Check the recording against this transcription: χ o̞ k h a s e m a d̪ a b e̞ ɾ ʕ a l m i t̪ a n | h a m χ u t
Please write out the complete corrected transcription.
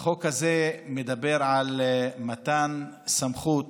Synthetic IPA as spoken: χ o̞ k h a z e m e d̪ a b e̞ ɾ ʕ a l m a t̪ a n | s a m χ u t